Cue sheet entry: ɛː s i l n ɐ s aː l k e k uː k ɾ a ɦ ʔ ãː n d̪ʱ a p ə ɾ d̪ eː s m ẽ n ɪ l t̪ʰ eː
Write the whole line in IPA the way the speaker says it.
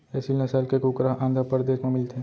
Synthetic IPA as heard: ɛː s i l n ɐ s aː l k e k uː k ɾ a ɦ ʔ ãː n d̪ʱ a p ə ɾ d̪ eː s m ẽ m ɪ l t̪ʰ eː

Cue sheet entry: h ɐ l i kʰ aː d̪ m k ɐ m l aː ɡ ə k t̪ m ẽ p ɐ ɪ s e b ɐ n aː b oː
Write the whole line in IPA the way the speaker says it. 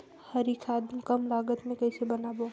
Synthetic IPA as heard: h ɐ ɾ i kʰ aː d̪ m k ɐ m l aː ɡ ə t̪ m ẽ k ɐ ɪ s e b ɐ n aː b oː

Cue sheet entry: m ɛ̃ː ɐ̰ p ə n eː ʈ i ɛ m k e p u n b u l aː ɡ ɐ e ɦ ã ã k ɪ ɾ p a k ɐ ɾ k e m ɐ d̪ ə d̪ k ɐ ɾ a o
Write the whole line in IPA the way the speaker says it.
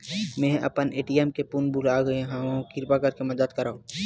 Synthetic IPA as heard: m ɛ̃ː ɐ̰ p ə n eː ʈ i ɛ m k e p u n b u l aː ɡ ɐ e ɦ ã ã k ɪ ɾ p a k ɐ ɾ k e m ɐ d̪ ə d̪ k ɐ ɾ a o

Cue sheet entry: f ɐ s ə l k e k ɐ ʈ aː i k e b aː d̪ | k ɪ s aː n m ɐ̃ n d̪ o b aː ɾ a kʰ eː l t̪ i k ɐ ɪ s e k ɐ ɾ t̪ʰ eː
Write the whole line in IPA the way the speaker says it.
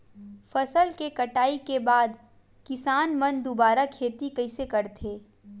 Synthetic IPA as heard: f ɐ s ə l k e k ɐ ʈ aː i k e b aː d̪ | k ɪ s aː n m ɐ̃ n d̪ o b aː ɾ a kʰ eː t̪ i k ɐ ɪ s e k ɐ ɾ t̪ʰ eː

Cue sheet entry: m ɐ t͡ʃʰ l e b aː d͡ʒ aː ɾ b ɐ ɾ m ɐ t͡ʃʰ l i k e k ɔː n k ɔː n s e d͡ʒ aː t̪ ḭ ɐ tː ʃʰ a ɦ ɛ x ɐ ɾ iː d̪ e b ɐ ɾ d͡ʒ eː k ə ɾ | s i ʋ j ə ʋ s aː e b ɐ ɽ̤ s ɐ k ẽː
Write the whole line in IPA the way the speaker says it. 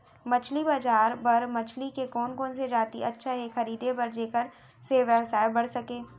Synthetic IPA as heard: m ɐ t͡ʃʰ l i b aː d͡ʒ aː ɾ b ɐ ɾ m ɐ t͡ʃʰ l i k e k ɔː n k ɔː n s e d͡ʒ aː t̪ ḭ ɐ tː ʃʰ a ɦ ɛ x ɐ ɾ iː d̪ e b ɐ ɾ d͡ʒ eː k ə ɾ | s e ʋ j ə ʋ s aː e b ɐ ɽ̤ s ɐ k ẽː

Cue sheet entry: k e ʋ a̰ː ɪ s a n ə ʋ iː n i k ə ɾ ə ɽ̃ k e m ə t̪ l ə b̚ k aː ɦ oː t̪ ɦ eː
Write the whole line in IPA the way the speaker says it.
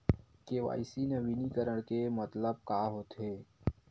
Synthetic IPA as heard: k e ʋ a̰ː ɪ s i n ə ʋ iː n i k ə ɾ ə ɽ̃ k e m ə t̪ l ə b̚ k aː ɦ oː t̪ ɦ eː

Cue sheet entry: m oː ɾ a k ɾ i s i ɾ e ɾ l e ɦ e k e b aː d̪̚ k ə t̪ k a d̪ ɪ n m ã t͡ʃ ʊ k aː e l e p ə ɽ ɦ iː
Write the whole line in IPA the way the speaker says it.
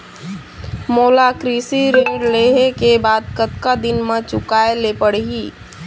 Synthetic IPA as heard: m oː l a k ɾ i s i ɾ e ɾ l e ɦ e k e b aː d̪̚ k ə t̪ k a d̪ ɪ n m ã t͡ʃ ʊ k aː e l e p ə ɽ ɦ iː

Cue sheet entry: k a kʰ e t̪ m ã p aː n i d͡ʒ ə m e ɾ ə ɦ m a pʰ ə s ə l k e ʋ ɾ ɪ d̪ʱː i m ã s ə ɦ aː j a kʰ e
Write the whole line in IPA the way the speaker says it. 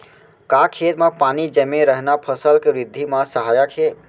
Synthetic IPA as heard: k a kʰ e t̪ m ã p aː n i d͡ʒ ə m e ɾ ə ɦ n a pʰ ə s ə l k e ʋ ɾ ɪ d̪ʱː i m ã s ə ɦ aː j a kʰ e

